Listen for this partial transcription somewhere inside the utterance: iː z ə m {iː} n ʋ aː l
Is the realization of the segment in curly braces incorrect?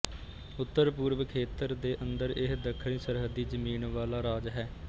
no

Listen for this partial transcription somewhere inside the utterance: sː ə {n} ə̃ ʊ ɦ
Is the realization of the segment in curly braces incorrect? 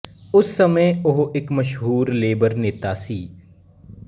yes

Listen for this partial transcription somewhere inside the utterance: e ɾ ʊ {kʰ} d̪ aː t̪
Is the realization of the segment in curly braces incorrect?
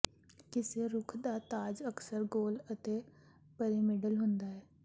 no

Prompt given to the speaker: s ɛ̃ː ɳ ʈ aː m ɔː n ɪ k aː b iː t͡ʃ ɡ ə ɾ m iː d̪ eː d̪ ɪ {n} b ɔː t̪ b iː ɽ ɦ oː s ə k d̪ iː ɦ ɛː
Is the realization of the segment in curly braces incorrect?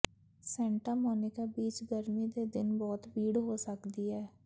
no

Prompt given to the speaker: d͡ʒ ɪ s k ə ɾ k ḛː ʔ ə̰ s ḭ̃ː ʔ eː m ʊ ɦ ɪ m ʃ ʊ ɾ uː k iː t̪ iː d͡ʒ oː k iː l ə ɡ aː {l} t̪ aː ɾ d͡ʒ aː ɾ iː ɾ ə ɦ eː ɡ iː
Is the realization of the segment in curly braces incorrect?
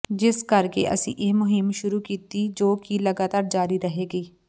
yes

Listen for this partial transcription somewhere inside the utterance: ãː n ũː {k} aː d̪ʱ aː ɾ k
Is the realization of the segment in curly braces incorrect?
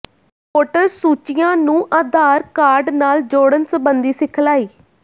yes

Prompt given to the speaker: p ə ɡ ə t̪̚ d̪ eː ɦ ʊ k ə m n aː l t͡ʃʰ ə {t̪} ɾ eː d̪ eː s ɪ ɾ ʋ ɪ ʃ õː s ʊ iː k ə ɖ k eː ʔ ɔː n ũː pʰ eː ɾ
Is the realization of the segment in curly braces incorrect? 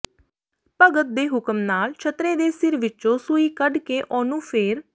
no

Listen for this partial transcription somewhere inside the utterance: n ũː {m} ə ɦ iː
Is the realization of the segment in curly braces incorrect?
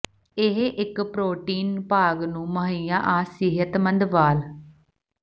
no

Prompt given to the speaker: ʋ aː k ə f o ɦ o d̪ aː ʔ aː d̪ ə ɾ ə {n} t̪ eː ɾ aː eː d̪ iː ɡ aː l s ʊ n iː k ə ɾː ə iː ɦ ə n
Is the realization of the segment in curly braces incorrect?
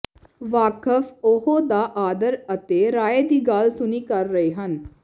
yes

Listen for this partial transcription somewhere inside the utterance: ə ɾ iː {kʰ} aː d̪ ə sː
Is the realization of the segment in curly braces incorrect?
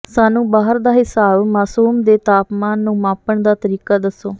yes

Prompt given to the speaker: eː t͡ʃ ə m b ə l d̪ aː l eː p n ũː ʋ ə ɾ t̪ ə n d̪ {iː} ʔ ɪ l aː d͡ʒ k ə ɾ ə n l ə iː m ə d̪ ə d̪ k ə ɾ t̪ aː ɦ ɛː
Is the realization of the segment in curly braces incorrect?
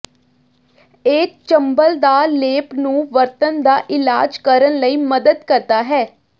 yes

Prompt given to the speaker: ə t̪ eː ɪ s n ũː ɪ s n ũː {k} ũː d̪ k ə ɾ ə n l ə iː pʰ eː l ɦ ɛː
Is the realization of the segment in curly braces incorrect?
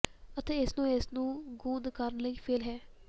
yes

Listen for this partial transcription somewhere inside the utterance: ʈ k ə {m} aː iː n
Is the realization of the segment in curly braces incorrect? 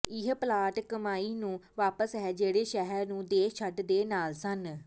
no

